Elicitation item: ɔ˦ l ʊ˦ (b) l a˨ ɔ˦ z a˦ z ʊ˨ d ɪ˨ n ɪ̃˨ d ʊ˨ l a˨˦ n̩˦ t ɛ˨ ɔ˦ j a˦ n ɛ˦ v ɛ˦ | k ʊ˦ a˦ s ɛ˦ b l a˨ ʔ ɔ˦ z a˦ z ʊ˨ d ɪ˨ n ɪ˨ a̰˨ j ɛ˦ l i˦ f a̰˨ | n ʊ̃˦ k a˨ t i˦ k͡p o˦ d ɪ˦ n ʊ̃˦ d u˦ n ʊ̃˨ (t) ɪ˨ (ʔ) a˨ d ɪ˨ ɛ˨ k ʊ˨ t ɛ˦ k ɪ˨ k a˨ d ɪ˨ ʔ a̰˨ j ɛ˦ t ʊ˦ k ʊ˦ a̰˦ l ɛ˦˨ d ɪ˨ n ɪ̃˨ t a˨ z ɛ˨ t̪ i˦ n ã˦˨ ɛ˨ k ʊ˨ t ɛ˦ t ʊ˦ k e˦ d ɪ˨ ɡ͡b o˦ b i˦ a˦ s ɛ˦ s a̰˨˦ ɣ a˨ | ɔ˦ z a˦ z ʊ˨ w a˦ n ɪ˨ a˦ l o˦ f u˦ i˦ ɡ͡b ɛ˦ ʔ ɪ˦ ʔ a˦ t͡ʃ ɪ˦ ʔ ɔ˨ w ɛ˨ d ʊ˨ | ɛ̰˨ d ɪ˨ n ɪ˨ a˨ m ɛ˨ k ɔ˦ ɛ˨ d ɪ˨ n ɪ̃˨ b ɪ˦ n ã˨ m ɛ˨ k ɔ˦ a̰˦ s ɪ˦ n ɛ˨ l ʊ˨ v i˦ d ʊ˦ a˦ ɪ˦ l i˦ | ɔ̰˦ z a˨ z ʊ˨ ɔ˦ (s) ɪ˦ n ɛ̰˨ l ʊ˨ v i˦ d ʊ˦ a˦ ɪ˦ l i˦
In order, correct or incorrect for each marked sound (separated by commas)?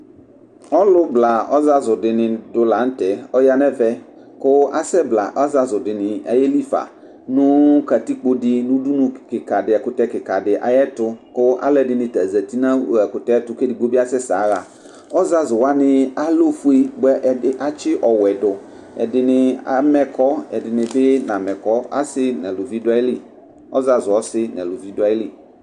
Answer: correct, incorrect, incorrect, correct